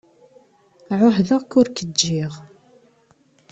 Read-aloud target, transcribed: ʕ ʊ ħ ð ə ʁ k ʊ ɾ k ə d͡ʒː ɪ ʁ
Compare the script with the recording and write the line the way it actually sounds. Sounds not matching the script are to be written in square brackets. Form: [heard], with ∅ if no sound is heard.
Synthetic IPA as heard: ʕ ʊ ħ ð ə ʁ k ʊ ɾ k ə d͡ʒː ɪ ʁ